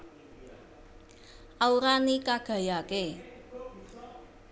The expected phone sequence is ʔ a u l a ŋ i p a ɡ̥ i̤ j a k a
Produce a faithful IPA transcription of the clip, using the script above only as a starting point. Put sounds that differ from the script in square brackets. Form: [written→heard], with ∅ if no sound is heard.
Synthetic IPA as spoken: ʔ a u [l→ɾ] a [ŋ→n] i [p→k] a ɡ̥ [i̤→a̤] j a k [a→e]